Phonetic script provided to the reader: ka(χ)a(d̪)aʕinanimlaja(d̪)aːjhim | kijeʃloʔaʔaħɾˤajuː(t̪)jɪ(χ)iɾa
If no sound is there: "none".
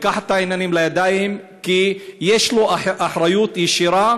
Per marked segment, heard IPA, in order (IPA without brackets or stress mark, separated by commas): ħ, t̪, d̪, t̪, ʃ